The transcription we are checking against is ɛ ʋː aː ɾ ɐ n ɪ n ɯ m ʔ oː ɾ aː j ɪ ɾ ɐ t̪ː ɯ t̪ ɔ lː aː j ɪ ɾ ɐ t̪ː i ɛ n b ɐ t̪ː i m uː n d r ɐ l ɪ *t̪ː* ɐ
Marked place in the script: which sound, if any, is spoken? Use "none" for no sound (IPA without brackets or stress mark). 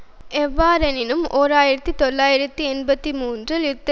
t̪ː